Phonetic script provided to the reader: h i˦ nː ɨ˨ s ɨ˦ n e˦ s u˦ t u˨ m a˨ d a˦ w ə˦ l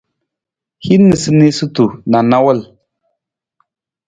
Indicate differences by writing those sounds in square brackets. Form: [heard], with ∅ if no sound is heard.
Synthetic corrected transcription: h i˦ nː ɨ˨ s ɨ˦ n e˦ s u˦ t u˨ [n] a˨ [n] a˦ w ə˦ l